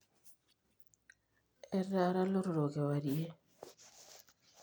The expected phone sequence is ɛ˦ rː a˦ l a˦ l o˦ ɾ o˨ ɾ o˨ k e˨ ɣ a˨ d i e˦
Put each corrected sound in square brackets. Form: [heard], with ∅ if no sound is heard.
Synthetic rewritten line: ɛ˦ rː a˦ [ɾ] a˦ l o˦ ɾ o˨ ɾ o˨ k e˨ [w] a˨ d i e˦